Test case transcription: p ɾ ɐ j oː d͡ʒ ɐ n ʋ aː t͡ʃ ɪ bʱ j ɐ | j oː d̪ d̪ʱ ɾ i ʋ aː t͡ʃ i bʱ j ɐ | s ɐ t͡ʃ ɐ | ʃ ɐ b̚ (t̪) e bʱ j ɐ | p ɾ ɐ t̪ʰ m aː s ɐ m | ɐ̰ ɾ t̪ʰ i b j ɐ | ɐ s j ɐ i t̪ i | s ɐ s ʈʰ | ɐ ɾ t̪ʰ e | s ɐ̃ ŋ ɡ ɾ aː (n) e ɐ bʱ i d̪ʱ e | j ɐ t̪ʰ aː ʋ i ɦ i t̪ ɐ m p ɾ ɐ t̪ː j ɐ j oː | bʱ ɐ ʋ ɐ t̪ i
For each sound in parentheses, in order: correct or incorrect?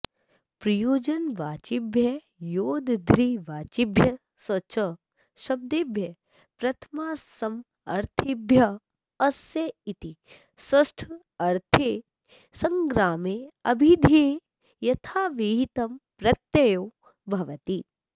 incorrect: d̪, incorrect: m

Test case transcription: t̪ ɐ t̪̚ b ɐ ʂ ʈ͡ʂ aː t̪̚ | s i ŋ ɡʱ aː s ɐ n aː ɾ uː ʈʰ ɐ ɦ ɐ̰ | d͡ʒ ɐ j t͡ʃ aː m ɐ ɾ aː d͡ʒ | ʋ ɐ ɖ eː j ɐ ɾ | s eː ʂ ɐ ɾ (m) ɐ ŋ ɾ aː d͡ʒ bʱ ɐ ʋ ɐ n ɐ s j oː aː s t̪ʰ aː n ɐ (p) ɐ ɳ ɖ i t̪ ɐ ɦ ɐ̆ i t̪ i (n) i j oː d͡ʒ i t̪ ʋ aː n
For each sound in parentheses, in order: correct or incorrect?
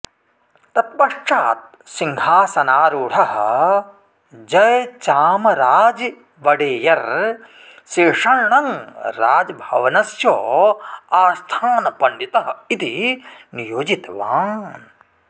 incorrect: ɳ, correct, correct

